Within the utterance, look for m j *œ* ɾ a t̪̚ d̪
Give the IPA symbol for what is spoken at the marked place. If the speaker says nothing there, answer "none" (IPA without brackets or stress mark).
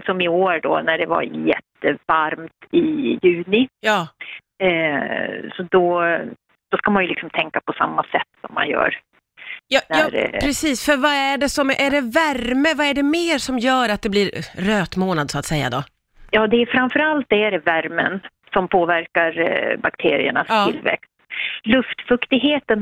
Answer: œː